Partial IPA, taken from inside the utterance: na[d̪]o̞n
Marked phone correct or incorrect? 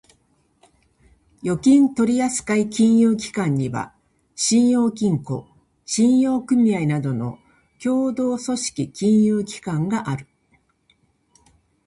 correct